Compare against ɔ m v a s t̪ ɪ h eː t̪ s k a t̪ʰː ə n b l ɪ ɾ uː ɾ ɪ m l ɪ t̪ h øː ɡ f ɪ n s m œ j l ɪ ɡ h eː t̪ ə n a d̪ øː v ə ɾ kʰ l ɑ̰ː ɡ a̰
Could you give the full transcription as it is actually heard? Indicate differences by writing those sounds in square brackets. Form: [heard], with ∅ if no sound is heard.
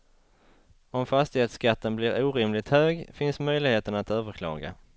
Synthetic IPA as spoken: ɔ m [f] a s t̪ ɪ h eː t̪ s k a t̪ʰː ə n b l ɪ ɾ uː ɾ ɪ m l ɪ t̪ h øː ɡ f ɪ n s m œ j l ɪ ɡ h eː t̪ ə n a [t̪] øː v ə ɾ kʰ l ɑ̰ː ɡ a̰

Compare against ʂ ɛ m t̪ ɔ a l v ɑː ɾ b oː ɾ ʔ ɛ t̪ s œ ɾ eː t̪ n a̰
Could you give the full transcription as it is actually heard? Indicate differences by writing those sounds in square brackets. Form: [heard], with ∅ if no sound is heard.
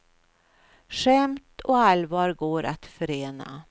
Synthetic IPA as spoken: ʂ ɛ m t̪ ɔ a l v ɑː ɾ [ɡ] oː ɾ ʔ [a] t̪ [f] œ ɾ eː [∅] n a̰

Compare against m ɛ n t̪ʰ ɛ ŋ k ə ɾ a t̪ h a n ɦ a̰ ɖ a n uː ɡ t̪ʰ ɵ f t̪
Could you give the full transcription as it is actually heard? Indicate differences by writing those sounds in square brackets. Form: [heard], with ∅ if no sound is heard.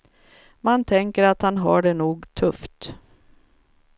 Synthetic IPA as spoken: m [a] n t̪ʰ ɛ ŋ k ə ɾ a t̪ h a n ɦ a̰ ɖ [ɛ] n uː ɡ t̪ʰ ɵ f t̪

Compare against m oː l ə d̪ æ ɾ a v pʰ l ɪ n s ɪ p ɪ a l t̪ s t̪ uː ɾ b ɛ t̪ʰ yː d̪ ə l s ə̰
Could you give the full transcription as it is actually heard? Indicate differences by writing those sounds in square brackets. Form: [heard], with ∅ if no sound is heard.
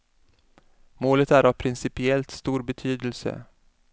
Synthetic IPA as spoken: m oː l ə [t̪] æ ɾ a v pʰ [ɾ] ɪ n s ɪ p ɪ [ɛ] l t̪ s t̪ uː ɾ b ɛ t̪ʰ yː d̪ ə l s ə̰

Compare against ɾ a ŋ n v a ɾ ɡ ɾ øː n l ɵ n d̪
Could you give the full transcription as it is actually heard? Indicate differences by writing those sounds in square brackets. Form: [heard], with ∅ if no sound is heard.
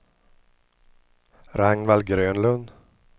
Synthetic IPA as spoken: ɾ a ŋ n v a [l] ɡ ɾ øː n l ɵ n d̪

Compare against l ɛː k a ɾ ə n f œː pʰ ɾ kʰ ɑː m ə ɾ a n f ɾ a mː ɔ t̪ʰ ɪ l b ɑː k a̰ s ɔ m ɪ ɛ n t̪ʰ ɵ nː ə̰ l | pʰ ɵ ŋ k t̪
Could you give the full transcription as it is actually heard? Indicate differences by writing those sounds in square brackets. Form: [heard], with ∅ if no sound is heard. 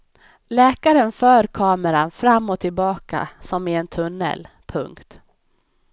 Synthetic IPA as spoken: l ɛː k a ɾ ə n f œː [∅] ɾ kʰ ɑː m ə ɾ a n f ɾ a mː ɔ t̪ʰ ɪ l b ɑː k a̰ s ɔ m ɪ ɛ n t̪ʰ ɵ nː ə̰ l | pʰ ɵ ŋ k t̪

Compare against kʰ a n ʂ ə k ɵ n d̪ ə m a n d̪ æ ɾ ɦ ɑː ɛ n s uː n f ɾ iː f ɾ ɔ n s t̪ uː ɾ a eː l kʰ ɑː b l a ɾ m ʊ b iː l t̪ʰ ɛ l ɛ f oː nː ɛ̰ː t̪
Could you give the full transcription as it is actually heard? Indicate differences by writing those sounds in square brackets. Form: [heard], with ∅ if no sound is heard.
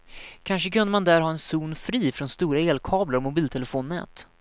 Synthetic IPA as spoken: kʰ a n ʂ ə k ɵ n d̪ ə m a n d̪ æ ɾ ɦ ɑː ɛ n s uː n f ɾ iː f ɾ ɔ n s t̪ uː ɾ a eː l kʰ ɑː b l a ɾ m ʊ b iː l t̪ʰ ɛ l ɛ f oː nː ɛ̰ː t̪

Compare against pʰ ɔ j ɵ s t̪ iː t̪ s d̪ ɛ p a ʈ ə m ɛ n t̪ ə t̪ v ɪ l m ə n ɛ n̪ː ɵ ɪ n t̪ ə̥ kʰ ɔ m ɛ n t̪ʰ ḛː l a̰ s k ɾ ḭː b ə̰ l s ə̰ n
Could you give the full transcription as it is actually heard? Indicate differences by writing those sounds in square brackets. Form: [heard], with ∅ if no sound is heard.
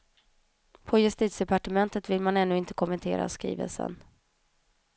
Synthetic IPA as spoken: pʰ ɔ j ɵ s t̪ iː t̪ s d̪ ɛ p a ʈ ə m ɛ n t̪ ə t̪ v ɪ l m [a] n ɛ n̪ː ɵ ɪ n t̪ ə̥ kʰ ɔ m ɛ n t̪ʰ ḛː [ɾ] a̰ s k ɾ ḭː [v] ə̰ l s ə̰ n

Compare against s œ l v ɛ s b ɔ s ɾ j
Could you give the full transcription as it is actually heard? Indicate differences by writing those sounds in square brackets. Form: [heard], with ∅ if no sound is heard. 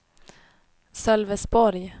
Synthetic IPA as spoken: s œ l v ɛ s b ɔ [∅] ɾ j

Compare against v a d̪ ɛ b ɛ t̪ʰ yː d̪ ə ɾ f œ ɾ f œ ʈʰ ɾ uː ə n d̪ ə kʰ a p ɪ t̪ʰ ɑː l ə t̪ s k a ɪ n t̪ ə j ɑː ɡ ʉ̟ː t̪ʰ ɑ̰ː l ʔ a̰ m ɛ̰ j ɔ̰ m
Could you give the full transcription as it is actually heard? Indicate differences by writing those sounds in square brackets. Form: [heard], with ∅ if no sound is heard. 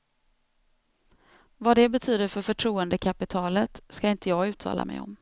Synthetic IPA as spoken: v a d̪ ɛ b ɛ t̪ʰ yː d̪ ə ɾ f œ ɾ f œ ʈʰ ɾ uː ə n d̪ ə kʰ a p ɪ t̪ʰ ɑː l ə t̪ s k a ɪ n t̪ ə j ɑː ɡ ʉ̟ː t̪ʰ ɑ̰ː l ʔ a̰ m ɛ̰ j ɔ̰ m

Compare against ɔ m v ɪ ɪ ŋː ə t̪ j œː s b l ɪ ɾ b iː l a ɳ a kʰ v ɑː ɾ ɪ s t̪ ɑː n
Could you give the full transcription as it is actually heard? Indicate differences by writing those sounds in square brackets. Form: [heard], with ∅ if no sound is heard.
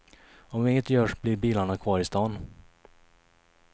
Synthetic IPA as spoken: ɔ m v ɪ ɪ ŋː ə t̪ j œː [ʂ] b l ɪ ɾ b iː l a ɳ a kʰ v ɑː ɾ ɪ s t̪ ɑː n

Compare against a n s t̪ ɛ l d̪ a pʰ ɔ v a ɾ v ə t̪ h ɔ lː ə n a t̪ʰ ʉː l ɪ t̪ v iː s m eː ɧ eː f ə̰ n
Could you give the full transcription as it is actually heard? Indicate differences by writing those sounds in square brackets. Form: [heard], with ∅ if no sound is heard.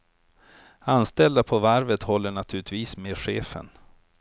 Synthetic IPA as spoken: a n s t̪ ɛ l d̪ a pʰ ɔ v a ɾ v ə t̪ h ɔ lː ə [ɳ] a t̪ʰ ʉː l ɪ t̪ v iː s m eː ɧ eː f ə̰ n

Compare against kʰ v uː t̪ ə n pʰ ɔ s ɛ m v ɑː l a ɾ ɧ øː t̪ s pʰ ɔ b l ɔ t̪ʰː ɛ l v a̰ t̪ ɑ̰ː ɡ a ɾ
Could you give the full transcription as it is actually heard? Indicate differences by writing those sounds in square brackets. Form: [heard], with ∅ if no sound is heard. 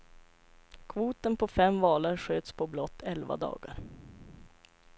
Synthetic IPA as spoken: kʰ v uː t̪ ə n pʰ ɔ [f] ɛ m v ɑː l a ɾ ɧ øː t̪ s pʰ ɔ b l ɔ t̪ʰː ɛ l v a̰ [d̪] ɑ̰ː ɡ a ɾ

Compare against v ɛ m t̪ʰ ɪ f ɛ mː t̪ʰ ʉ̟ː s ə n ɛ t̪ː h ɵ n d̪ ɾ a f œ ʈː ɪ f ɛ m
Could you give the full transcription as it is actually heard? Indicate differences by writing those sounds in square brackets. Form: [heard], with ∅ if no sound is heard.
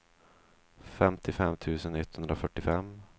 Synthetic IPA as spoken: [f] ɛ m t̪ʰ ɪ f ɛ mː t̪ʰ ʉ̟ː s ə n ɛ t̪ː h ɵ n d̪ ɾ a f œ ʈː ɪ f ɛ m

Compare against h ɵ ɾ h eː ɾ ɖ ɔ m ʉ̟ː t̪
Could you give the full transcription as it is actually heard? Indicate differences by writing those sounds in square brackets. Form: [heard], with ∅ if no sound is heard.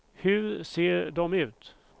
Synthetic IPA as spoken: h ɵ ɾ [s] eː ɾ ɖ ɔ m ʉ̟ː t̪

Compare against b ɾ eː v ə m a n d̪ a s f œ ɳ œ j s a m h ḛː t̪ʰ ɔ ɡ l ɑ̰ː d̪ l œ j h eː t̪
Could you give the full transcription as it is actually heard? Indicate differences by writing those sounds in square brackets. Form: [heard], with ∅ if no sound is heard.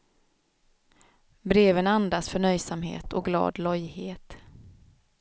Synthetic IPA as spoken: b ɾ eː v ə [n] a n d̪ a s f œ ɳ œ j s a m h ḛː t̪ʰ ɔ ɡ l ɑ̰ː d̪ l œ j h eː t̪

